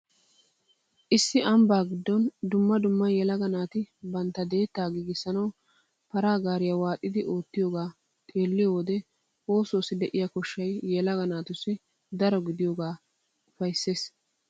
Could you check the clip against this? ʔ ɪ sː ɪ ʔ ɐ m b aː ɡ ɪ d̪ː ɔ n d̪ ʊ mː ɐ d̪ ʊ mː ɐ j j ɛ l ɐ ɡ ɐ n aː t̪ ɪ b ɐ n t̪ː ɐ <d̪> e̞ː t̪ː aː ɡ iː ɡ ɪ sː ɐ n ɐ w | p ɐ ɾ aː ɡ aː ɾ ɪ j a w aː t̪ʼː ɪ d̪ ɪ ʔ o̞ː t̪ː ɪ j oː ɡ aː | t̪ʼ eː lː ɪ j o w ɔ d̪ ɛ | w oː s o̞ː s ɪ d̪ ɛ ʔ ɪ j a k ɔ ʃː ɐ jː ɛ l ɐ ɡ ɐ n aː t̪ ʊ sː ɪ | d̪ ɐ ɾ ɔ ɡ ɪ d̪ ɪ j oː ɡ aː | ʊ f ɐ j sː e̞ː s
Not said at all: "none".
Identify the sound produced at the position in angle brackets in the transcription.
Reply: d̪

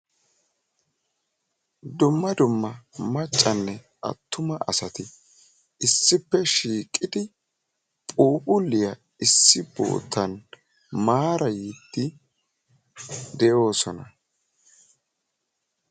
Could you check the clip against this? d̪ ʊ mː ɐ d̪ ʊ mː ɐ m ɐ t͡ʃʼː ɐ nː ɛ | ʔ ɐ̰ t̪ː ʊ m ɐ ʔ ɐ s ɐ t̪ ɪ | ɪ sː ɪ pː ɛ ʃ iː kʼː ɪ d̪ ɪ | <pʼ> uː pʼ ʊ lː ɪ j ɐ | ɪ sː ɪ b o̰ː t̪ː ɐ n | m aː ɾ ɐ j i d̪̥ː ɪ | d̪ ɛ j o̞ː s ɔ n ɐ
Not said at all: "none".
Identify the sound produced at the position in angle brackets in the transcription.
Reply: pʼ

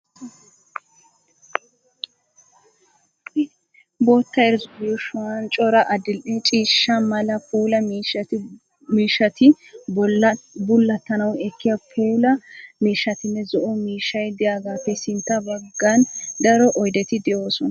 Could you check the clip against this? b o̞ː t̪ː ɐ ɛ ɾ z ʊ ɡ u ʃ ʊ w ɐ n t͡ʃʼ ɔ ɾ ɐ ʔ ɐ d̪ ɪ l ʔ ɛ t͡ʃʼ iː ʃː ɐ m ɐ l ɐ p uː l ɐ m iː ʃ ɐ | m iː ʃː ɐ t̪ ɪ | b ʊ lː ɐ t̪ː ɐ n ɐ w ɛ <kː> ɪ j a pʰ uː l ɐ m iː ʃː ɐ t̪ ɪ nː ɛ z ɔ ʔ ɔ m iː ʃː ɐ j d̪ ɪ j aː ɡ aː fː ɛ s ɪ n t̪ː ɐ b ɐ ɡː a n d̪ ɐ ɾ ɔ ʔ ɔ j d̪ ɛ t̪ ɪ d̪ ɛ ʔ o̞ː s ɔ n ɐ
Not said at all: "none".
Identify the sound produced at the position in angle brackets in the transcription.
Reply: kː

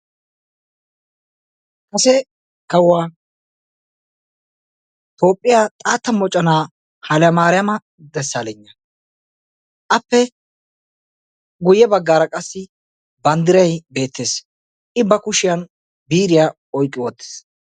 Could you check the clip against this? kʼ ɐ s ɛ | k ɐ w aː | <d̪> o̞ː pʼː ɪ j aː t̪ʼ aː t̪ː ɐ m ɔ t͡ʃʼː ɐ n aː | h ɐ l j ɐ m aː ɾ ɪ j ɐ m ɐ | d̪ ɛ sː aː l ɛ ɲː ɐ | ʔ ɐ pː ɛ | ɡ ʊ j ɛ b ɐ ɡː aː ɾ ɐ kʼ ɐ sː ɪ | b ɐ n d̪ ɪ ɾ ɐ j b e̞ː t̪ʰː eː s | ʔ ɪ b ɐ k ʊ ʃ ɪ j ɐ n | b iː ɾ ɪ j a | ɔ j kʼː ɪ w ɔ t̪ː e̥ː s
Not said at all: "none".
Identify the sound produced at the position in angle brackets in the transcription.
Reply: t̪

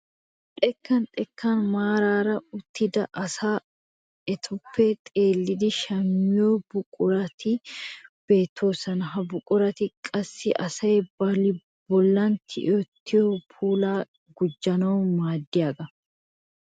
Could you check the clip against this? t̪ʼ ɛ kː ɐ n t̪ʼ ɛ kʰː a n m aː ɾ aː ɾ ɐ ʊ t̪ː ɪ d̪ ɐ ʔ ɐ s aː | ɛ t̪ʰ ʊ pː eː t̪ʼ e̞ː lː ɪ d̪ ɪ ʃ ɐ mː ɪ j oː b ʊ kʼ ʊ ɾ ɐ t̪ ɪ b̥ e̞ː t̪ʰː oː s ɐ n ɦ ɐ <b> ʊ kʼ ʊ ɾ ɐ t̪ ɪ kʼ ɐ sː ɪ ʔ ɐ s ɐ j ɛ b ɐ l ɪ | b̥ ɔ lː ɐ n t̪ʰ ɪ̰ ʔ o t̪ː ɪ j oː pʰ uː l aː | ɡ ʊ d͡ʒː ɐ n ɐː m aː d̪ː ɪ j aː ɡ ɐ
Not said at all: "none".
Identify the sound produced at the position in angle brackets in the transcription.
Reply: b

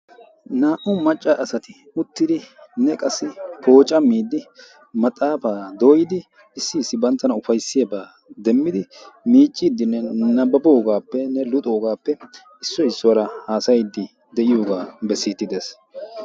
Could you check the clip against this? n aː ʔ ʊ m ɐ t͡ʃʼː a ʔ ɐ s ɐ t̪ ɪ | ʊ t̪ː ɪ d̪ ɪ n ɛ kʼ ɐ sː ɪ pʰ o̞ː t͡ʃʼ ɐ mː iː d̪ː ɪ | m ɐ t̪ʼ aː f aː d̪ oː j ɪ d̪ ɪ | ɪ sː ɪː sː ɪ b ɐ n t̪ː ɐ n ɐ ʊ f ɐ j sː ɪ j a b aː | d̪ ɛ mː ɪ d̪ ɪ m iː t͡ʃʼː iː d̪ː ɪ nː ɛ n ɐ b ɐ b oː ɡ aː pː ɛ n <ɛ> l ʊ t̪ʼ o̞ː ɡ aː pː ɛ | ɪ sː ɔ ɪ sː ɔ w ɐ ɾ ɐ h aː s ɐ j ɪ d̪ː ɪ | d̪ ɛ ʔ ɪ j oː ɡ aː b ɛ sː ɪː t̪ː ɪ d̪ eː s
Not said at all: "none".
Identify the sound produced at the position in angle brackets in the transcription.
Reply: ɛ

